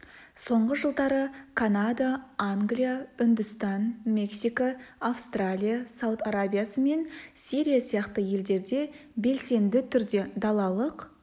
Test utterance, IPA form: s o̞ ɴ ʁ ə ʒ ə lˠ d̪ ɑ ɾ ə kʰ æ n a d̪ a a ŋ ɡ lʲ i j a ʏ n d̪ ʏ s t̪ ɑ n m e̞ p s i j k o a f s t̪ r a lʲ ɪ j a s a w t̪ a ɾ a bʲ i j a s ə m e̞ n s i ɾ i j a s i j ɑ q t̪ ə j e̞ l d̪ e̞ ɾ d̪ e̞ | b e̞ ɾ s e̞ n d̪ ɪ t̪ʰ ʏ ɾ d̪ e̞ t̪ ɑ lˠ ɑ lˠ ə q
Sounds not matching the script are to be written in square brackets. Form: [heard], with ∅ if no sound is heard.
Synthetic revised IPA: s o̞ ɴ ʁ ə ʒ ə lˠ d̪ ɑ ɾ ə kʰ [a] n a d̪ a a ŋ ɡ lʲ i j a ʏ n d̪ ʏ s t̪ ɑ n m e̞ [k] s i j k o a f s t̪ r a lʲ [i] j a s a w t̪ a ɾ a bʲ i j a s ə m e̞ n s i ɾ i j a s i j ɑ q t̪ ə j e̞ l d̪ e̞ ɾ d̪ e̞ | b e̞ [l] s e̞ n d̪ ɪ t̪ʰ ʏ ɾ d̪ e̞ [d̪] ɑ lˠ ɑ lˠ ə q

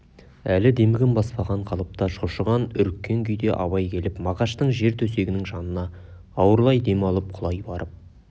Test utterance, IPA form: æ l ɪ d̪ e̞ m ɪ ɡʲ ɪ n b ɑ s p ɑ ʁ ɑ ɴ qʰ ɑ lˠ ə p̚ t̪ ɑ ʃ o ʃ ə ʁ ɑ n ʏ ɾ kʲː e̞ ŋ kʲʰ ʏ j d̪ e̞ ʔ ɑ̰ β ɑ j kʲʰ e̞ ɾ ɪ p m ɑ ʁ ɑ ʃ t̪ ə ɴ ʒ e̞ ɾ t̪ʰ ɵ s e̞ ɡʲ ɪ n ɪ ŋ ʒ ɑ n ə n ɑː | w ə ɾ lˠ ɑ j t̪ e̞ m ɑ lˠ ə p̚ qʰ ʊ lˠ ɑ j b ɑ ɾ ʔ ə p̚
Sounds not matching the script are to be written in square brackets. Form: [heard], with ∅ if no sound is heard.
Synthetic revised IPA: æ l ɪ d̪ e̞ m ɪ ɡʲ ɪ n b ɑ s p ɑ ʁ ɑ ɴ qʰ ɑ lˠ ə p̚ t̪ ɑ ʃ o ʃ ə ʁ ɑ n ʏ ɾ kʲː e̞ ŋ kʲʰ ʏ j d̪ e̞ ʔ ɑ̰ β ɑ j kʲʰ e̞ [l] ɪ p m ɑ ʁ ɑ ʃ t̪ ə ɴ ʒ e̞ ɾ t̪ʰ ɵ s e̞ ɡʲ ɪ n ɪ ŋ ʒ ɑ n ə n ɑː | w ə ɾ lˠ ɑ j [d̪] e̞ m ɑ lˠ ə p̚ qʰ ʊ lˠ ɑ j b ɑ ɾ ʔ ə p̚

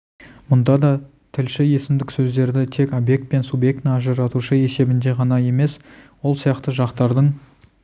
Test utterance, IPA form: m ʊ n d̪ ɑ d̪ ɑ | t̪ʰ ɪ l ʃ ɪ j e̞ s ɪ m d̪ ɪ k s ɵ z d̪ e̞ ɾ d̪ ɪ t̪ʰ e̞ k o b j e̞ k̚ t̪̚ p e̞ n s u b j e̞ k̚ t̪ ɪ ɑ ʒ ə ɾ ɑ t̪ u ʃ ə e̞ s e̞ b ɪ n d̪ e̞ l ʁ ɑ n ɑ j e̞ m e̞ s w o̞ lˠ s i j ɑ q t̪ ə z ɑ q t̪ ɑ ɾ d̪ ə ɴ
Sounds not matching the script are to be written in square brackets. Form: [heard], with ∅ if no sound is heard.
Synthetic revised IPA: m ʊ n d̪ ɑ d̪ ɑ | t̪ʰ ɪ l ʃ ɪ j e̞ s ɪ m d̪ ɪ k s ɵ z d̪ e̞ ɾ d̪ ɪ t̪ʰ e̞ k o b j e̞ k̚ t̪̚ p e̞ n s u b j e̞ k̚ t̪ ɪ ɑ ʒ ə ɾ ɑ t̪ u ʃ ə e̞ s e̞ b ɪ n d̪ e̞ [∅] ʁ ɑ n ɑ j e̞ m e̞ s w o̞ lˠ s i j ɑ q t̪ ə [ʒ] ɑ q t̪ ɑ ɾ d̪ ə ɴ

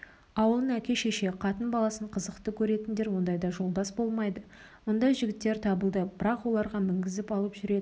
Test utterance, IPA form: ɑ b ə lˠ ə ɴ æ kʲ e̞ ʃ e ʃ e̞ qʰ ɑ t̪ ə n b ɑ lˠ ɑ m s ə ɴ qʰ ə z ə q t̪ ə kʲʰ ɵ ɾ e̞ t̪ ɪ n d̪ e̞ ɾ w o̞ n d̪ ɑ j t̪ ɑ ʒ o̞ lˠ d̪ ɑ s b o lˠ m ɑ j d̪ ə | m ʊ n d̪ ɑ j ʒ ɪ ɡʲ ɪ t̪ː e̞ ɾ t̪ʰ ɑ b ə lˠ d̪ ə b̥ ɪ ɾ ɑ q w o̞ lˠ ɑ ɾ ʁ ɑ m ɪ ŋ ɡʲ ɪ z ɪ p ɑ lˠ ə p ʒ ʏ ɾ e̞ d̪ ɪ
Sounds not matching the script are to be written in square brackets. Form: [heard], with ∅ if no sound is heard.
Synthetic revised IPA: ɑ [w] ə lˠ ə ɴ æ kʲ e̞ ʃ e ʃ e̞ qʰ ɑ t̪ ə n b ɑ lˠ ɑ [∅] s ə ɴ qʰ ə z ə q t̪ ə kʲʰ ɵ ɾ e̞ t̪ ɪ n d̪ e̞ ɾ w o̞ n d̪ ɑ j [d̪] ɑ ʒ o̞ lˠ d̪ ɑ s b o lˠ m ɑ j d̪ ə | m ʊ n d̪ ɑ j ʒ ɪ ɡʲ ɪ t̪ː e̞ ɾ t̪ʰ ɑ b ə lˠ d̪ ə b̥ ɪ ɾ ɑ q w o̞ lˠ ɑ ɾ ʁ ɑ m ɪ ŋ ɡʲ ɪ z ɪ p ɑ lˠ ə p ʒ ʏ ɾ e̞ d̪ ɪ

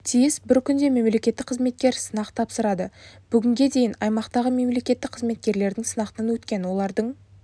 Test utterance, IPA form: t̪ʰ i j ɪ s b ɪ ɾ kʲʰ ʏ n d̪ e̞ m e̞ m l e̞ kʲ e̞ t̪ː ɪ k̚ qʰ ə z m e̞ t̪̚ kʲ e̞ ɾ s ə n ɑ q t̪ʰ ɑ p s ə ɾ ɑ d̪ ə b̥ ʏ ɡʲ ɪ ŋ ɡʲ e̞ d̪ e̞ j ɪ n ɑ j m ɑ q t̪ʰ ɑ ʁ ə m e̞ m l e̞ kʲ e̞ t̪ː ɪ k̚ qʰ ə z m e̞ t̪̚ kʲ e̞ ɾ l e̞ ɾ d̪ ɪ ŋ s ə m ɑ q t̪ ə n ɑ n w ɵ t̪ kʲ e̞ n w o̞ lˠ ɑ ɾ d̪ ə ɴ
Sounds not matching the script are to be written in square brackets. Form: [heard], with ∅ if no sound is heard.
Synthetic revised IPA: t̪ʰ i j ɪ s b ɪ ɾ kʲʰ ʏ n d̪ e̞ m e̞ m l e̞ kʲ e̞ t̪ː ɪ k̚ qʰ ə z m e̞ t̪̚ kʲ e̞ ɾ s ə n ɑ q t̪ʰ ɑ p s ə ɾ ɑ d̪ ə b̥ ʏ ɡʲ ɪ ŋ ɡʲ e̞ d̪ e̞ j ɪ n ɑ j m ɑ q [t̪] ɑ ʁ ə m e̞ m l e̞ kʲ e̞ t̪ː ɪ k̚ qʰ ə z m e̞ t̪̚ kʲ e̞ ɾ l e̞ ɾ d̪ ɪ ŋ s ə [n] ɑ q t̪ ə n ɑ n w ɵ t̪ kʲ e̞ n w o̞ lˠ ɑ ɾ d̪ ə ɴ

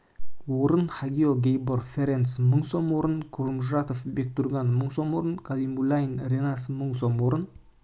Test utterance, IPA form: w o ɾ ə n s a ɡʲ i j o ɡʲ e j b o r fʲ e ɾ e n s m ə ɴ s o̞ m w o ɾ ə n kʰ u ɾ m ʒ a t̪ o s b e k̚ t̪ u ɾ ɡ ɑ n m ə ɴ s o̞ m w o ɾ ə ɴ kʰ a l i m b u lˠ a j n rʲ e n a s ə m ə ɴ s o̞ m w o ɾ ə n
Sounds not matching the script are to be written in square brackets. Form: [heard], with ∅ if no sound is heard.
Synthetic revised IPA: w o ɾ ə n [χ] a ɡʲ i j o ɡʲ e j b o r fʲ e ɾ e n s m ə ɴ s o̞ m w o ɾ ə n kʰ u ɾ m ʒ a t̪ o [f] b e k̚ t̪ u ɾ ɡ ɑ n m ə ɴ s o̞ m w o ɾ ə [n] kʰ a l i m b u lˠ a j n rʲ e n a s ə m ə ɴ s o̞ m w o ɾ ə n

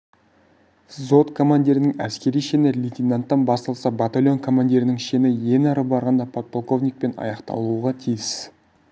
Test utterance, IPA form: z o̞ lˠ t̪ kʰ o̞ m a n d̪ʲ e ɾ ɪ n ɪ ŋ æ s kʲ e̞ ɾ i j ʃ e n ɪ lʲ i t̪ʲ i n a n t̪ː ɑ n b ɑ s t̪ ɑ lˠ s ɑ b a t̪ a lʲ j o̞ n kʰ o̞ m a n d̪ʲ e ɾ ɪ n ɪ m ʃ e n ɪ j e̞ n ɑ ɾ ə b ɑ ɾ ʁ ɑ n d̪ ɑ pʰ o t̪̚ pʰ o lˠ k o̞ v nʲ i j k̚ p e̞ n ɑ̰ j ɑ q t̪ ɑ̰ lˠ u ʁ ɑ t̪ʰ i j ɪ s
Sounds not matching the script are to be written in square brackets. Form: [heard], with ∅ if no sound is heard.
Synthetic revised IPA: z o̞ [∅] t̪ kʰ o̞ m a n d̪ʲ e ɾ ɪ n ɪ ŋ æ s kʲ e̞ ɾ i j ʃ e n ɪ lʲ i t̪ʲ i n a n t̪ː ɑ n b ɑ s t̪ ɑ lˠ s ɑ b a t̪ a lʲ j o̞ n kʰ o̞ m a n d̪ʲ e ɾ ɪ n ɪ [ŋ] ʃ e n ɪ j e̞ n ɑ ɾ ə b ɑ ɾ ʁ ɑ n d̪ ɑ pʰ o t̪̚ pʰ o lˠ k o̞ v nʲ i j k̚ p e̞ n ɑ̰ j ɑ q t̪ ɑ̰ lˠ u ʁ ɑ t̪ʰ i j ɪ s

